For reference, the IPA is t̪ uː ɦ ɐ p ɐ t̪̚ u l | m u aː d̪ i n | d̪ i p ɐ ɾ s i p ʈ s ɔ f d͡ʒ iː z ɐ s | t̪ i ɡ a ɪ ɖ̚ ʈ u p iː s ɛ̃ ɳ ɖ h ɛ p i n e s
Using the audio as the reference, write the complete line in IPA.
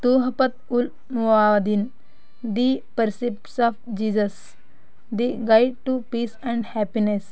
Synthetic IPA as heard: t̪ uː ɦ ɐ p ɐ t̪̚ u l | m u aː d̪ i n | d̪ i p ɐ ɾ s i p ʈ s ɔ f d͡ʒ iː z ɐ s | d̪ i ɡ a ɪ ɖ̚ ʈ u p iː s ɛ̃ ɳ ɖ h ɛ p i n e s

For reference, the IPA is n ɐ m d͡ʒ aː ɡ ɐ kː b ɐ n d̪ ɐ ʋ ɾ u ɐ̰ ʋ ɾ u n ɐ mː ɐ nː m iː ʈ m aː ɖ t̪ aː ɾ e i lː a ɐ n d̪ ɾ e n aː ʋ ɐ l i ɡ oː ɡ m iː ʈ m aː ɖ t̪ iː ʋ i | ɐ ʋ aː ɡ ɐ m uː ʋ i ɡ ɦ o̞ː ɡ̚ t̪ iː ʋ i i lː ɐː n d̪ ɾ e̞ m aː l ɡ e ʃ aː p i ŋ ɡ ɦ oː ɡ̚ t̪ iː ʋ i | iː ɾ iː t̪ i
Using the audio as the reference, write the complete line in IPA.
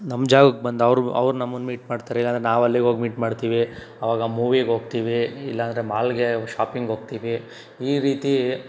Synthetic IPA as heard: n ɐ m d͡ʒ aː ɡ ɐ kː b ɐ n d̪ ɐ ʋ ɾ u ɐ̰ ʋ ɾ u n ɐ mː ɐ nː m iː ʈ m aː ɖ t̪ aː ɾ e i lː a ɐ n d̪ ɾ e n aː ʋ ɐ lː i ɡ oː ɡ m iː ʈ m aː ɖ t̪ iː ʋ i | ɐ ʋ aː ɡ ɐ m uː ʋ i ɡ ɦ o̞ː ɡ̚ t̪ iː ʋ i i lː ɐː n d̪ ɾ e̞ m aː l ɡ e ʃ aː p i ŋ ɡ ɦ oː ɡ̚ t̪ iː ʋ i | iː ɾ iː t̪ i

